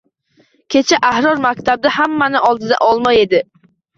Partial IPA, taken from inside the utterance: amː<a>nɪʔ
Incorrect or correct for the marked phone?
correct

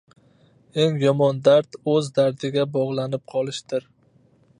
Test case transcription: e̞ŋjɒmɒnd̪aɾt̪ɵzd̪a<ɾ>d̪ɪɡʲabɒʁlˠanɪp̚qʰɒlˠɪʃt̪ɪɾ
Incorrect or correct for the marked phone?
correct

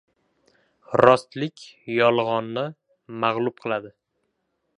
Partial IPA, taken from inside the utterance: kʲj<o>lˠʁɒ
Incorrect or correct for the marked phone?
incorrect: ɒ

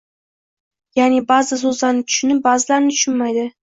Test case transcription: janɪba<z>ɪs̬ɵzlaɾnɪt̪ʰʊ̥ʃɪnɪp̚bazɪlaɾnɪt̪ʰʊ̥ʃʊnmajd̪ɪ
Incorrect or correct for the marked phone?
correct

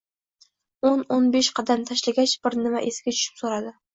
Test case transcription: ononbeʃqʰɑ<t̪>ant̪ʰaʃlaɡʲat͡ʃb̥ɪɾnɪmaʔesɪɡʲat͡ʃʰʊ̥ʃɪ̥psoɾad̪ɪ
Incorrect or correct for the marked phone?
incorrect: d̪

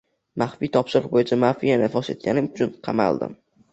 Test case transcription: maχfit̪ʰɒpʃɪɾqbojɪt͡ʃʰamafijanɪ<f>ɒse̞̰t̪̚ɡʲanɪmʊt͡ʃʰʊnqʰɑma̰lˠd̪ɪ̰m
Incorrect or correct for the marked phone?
correct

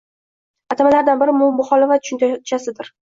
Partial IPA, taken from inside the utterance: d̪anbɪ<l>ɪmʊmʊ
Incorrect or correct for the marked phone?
incorrect: ɾ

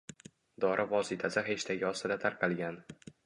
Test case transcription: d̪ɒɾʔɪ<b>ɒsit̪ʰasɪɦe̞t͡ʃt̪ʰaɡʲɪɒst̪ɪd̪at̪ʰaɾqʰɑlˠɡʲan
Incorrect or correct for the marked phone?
incorrect: v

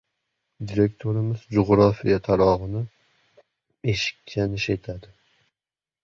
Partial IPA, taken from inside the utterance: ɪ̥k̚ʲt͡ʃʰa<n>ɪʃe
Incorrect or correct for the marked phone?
correct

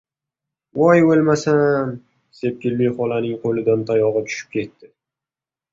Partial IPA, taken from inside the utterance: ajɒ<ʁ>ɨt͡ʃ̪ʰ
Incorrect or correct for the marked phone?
correct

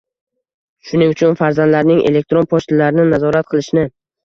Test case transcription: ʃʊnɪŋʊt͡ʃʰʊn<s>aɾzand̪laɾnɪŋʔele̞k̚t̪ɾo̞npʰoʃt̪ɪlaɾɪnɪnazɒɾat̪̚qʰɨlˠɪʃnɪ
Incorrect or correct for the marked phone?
incorrect: f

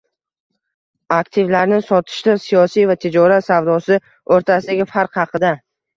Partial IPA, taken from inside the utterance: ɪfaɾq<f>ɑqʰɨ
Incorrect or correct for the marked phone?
incorrect: h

